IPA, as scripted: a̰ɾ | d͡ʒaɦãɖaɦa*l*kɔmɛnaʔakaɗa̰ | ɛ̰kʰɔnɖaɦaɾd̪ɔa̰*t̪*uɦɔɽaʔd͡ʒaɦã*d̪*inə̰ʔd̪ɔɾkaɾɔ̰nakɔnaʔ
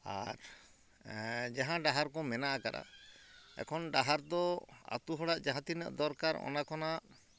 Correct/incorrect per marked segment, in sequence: incorrect, correct, incorrect

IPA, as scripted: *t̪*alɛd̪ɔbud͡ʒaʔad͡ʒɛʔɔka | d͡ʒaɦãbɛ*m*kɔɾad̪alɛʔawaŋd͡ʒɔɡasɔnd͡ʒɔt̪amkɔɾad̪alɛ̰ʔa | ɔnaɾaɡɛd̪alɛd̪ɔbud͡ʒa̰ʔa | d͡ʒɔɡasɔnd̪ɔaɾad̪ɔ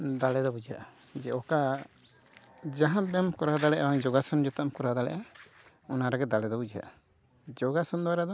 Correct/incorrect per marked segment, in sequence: incorrect, correct

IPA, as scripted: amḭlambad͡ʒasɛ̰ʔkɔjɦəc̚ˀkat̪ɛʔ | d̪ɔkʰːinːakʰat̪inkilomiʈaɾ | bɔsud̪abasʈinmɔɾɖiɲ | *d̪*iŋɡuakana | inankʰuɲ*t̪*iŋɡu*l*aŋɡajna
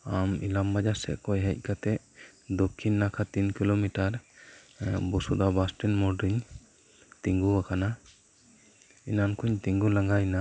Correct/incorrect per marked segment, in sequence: incorrect, correct, correct

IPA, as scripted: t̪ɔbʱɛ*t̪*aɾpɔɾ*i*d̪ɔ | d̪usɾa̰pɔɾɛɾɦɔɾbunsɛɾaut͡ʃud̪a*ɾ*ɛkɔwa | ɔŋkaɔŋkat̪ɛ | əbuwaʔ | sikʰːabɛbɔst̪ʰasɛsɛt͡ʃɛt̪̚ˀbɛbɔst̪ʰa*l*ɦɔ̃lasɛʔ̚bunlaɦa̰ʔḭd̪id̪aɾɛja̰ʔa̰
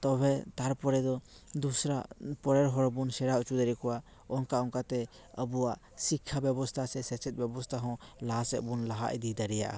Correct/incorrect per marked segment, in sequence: correct, incorrect, correct, incorrect

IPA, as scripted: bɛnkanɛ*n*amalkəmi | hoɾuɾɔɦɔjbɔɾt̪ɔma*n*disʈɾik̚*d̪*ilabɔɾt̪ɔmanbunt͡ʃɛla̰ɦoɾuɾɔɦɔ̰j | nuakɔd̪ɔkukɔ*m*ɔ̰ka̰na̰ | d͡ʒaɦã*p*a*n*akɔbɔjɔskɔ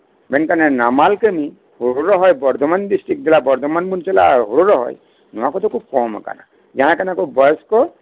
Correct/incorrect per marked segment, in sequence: correct, correct, correct, correct, incorrect, correct

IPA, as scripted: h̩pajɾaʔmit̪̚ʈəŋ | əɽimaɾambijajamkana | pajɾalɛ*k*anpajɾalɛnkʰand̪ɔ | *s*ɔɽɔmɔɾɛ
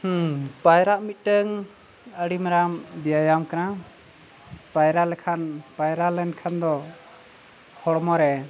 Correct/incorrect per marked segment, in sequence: incorrect, incorrect

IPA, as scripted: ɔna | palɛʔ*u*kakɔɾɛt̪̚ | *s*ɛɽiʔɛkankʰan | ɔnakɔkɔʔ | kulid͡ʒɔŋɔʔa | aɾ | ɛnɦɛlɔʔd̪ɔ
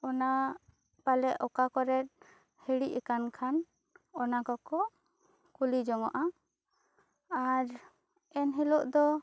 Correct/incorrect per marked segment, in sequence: incorrect, incorrect

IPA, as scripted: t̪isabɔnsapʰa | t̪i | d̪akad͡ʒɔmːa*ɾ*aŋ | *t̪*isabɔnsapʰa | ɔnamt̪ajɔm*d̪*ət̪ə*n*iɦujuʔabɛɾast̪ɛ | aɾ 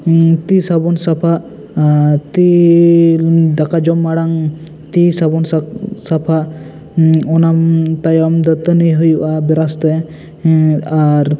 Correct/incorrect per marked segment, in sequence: incorrect, correct, correct, correct

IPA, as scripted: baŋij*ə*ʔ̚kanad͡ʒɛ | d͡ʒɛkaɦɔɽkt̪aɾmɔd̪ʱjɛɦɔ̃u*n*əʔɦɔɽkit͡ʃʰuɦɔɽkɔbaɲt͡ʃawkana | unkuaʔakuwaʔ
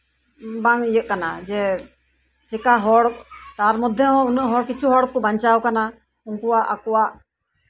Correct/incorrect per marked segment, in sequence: correct, correct

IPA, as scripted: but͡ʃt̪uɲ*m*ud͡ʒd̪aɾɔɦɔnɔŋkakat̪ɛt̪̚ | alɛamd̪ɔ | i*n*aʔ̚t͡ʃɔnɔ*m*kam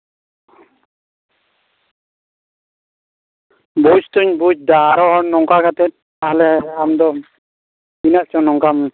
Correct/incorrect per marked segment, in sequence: incorrect, correct, incorrect

